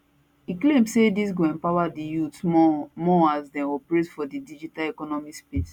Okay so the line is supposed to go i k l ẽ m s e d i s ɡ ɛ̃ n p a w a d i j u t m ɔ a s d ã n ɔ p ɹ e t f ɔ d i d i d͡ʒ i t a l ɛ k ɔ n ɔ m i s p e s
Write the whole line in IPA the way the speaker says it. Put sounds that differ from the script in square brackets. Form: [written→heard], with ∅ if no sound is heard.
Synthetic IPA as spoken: i k l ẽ m s e d i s ɡ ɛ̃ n p a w a d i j u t m ɔ a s d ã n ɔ p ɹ e t f ɔ d i d i d͡ʒ i t a l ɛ k ɔ n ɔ m i s p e s